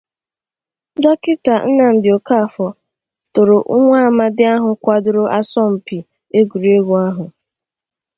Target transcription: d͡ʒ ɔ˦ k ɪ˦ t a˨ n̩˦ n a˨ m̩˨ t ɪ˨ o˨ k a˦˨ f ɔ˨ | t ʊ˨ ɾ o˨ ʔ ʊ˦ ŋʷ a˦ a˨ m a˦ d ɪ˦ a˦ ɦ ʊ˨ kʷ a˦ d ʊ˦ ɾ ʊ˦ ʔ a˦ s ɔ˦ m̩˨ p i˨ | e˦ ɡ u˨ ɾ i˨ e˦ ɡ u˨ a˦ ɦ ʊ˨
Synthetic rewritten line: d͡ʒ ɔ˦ k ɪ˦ t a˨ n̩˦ n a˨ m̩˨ d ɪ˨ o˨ k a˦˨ f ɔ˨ | t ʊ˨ ɾ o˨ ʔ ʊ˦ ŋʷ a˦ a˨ m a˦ d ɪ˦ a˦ ɦ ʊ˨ kʷ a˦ d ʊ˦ ɾ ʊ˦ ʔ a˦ s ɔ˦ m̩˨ p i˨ | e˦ ɡ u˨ ɾ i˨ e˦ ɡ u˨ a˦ ɦ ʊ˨